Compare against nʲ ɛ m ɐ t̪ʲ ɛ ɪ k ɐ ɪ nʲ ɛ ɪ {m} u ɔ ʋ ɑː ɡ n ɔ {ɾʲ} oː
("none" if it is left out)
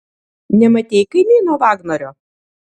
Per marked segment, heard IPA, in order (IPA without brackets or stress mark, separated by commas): n, ɾʲ